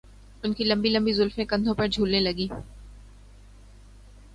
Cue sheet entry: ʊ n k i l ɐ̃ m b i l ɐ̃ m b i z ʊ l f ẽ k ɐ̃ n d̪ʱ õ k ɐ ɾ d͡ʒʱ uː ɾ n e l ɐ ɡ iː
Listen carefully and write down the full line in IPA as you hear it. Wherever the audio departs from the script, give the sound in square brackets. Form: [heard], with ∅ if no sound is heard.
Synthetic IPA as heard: ʊ n k i l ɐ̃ m b i l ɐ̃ m b i z ʊ l f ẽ k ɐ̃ n d̪ʱ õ [p] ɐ ɾ d͡ʒʱ uː [l] n e l ɐ ɡ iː